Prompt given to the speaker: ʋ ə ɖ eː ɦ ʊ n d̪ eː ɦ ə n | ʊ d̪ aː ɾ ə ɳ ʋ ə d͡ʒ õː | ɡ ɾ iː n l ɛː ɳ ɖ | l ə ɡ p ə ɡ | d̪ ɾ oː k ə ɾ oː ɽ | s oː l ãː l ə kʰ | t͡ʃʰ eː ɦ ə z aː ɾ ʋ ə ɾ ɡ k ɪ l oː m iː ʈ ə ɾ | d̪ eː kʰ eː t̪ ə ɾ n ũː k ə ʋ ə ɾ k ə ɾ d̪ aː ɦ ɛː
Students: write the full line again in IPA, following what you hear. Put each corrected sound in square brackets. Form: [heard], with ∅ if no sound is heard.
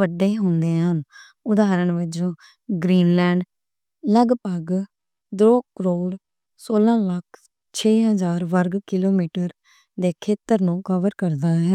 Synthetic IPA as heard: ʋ ə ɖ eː ɦ ʊ n d̪ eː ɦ ə n | ʊ d̪ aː ɾ ə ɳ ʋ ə d͡ʒ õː | ɡ ɾ iː n l ɛː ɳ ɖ | l ə ɡ p ə ɡ | d̪ ɾ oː k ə ɾ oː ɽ | s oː l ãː l ə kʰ | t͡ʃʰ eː ɦ ə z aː ɾ ʋ ə ɾ ɡ k ɪ l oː m iː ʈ ə ɾ | d̪ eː kʰ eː t̪ ə ɾ n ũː k ə ʋ ə ɾ k ə ɾ d̪ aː ɦ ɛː

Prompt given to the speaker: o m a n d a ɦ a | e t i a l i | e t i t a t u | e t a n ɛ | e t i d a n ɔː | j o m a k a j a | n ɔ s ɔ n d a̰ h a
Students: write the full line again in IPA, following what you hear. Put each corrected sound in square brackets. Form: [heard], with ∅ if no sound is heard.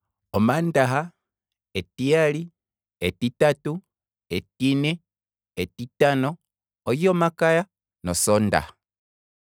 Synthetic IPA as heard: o m a n d a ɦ a | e t i a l i | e t i t a t u | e t [i] n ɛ | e t i [t] a n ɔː | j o m a k a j a | n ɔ s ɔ n d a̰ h a

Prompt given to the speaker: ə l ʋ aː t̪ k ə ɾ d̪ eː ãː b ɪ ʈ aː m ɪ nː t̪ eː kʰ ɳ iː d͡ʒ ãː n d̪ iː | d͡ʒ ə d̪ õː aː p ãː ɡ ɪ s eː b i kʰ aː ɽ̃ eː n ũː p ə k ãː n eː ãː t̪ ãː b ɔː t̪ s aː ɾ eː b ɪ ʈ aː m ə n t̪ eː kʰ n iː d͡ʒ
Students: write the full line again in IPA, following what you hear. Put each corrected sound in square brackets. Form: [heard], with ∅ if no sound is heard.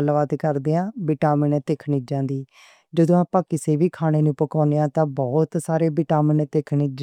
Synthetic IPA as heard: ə l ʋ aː t̪ k ə ɾ d̪ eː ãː b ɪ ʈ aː m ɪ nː t̪ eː kʰ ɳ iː d͡ʒ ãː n d̪ iː | d͡ʒ ə d̪ õː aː p ãː [k] ɪ s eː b [iː] kʰ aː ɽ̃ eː n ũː p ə k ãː n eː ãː t̪ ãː b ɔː t̪ s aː ɾ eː b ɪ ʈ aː m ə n t̪ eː kʰ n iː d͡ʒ

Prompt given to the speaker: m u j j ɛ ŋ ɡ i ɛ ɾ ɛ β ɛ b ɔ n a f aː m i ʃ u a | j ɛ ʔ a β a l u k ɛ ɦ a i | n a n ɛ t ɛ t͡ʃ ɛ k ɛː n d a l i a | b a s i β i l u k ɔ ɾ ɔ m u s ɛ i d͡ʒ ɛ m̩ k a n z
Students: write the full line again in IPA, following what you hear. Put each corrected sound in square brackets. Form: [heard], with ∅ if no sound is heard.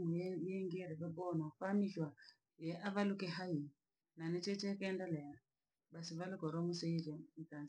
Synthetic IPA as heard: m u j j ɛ ŋ ɡ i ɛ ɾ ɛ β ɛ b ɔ n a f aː m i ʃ [w] a | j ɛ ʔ a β a l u k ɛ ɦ a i | n a n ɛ [t͡ʃ] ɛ t͡ʃ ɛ k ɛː n d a l [ɛ] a | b a s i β [a] l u k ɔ ɾ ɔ m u s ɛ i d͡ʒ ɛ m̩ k a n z

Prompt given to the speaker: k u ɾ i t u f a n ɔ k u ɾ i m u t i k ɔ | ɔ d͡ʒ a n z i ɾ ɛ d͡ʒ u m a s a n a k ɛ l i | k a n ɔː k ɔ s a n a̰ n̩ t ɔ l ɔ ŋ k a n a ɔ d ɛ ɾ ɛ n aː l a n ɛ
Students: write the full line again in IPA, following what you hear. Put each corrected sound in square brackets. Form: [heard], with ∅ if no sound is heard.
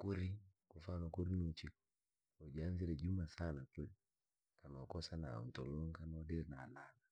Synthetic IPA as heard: k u ɾ i [k] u f a n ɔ k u ɾ i [n] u [t͡ʃ] i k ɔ | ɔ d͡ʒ a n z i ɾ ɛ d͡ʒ u m a s a n a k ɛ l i | k a n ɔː k ɔ s a n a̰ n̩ t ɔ l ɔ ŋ k a n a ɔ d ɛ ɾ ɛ n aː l a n [a]

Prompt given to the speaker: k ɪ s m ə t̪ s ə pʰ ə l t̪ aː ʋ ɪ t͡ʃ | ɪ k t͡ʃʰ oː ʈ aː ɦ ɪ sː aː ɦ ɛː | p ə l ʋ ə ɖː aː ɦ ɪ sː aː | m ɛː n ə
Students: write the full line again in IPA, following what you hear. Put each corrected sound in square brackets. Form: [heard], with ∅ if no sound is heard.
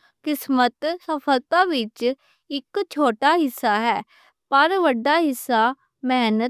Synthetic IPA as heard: k ɪ s m ə t̪ s ə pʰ ə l t̪ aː ʋ ɪ t͡ʃ | ɪ k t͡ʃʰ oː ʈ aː ɦ ɪ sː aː ɦ ɛː | p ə [ɾ] ʋ ə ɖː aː ɦ ɪ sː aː | m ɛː n ə

